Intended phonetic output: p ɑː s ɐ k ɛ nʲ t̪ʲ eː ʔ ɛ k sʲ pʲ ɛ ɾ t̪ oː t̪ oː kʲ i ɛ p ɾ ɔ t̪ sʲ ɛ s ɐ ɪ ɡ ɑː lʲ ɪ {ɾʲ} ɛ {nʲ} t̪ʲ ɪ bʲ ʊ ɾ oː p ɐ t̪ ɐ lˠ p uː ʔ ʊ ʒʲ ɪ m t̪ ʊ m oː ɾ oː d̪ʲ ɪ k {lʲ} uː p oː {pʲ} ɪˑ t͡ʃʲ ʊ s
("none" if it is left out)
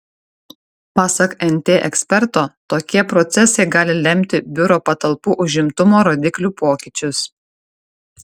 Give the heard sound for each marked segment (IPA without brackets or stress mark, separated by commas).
lʲ, mʲ, lʲ, kʲ